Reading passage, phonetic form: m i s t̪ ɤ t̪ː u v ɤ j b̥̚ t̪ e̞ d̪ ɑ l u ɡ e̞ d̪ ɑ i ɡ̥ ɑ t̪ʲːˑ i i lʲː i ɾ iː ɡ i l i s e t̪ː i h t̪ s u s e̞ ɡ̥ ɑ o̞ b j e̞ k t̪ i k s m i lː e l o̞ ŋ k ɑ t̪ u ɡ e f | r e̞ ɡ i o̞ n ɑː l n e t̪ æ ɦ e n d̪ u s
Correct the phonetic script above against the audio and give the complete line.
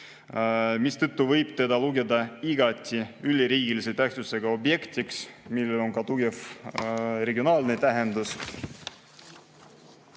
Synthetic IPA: m i s t̪ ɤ t̪ː u v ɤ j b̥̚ t̪ e̞ d̪ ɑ l u ɡ e̞ d̪ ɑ i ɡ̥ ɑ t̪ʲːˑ i y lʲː i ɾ iː ɡ i l i s e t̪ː æ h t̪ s u s e̞ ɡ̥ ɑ o̞ b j e̞ k t̪ i k s m i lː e l o̞ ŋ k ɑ t̪ u ɡ e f | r e̞ ɡ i o̞ n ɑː l n e t̪ æ ɦ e n d̪ u s